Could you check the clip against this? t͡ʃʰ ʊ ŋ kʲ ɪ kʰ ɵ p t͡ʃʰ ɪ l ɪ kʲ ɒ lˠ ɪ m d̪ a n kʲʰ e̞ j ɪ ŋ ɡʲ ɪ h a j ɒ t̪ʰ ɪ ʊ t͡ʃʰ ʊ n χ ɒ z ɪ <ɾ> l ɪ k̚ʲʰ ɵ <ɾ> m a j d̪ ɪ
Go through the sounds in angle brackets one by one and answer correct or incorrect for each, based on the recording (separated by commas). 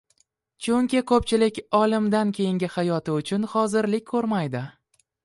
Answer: correct, correct